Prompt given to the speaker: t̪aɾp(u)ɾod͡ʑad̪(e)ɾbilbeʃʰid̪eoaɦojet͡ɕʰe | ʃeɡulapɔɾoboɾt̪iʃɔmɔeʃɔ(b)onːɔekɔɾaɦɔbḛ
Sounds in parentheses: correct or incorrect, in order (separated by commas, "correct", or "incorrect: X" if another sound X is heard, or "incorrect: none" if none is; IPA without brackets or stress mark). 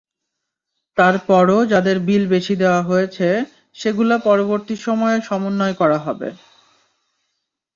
incorrect: ɔ, correct, incorrect: m